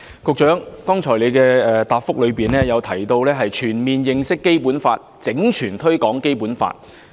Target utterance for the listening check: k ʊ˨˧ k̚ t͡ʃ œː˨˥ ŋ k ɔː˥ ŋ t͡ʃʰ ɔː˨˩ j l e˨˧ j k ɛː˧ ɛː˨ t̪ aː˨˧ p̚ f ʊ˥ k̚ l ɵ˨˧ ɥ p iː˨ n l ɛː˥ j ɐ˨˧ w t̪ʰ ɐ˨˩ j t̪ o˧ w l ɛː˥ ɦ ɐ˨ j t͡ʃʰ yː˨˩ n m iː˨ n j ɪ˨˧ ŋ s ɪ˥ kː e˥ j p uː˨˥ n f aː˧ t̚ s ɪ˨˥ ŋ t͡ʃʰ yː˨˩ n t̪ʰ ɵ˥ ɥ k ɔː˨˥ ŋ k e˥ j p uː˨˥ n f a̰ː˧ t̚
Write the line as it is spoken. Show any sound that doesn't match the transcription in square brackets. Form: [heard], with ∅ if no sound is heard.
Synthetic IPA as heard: k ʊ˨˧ k̚ t͡ʃ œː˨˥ ŋ k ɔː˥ ŋ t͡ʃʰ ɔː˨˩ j l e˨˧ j k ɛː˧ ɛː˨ t̪ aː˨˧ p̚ f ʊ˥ k̚ l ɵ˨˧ ɥ p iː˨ n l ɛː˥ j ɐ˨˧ w t̪ʰ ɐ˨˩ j t̪ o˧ w l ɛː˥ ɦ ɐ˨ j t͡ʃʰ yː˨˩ n m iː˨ n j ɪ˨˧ ŋ s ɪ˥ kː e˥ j p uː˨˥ n f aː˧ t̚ [t͡s] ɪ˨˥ ŋ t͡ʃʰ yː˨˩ n t̪ʰ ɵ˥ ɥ k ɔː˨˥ ŋ k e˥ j p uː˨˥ n f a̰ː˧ t̚